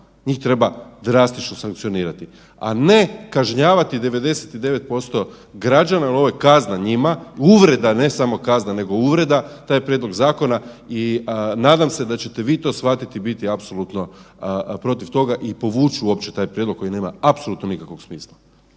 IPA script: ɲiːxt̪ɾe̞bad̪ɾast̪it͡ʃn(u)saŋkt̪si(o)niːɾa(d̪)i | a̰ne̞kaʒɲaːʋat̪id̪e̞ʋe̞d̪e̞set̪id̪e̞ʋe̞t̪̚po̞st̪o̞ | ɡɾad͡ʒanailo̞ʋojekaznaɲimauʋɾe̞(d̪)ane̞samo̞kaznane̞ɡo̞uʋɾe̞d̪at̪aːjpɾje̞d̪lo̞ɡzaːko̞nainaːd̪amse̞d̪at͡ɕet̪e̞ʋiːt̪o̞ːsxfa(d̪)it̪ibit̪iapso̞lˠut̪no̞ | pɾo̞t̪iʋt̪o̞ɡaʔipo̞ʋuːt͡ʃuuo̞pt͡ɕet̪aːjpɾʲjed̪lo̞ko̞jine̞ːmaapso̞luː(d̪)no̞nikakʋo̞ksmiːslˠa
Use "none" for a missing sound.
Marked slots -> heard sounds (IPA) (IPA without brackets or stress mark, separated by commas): o, o, t̪, d̪, t̪, t̪